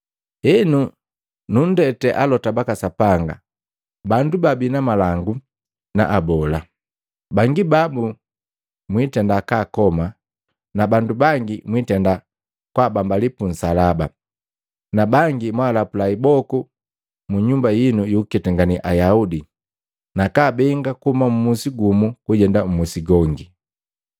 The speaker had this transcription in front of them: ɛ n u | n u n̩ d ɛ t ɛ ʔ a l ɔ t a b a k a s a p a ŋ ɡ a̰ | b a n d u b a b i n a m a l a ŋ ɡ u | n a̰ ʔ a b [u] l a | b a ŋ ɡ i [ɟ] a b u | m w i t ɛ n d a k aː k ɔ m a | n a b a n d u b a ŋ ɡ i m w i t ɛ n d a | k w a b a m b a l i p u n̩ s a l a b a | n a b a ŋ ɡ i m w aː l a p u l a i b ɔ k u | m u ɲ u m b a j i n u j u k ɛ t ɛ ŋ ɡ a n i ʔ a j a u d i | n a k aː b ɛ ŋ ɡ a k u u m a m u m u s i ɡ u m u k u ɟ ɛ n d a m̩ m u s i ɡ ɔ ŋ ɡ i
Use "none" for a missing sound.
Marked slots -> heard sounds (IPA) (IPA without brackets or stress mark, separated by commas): ɔ, b